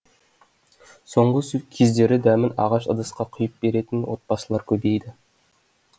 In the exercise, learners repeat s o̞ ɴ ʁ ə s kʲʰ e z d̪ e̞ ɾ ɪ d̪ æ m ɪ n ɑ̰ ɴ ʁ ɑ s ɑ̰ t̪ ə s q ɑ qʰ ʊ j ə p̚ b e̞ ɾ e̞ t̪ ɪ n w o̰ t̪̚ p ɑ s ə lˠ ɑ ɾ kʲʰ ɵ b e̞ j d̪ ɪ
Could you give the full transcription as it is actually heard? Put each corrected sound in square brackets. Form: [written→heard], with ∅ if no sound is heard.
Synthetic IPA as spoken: s o̞ ɴ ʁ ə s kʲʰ e z d̪ e̞ ɾ ɪ d̪ æ m ɪ n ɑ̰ [ɴ→∅] ʁ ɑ [s→ʃ] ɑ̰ [t̪→d̪] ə s q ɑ qʰ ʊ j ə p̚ b e̞ ɾ e̞ t̪ ɪ n w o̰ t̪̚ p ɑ s ə lˠ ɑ ɾ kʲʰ ɵ b e̞ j d̪ ɪ